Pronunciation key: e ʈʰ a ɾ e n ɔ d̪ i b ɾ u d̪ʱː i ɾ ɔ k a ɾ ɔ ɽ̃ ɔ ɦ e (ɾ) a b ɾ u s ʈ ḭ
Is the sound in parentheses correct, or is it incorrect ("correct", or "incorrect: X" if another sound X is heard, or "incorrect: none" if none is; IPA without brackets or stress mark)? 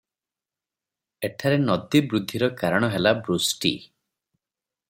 incorrect: l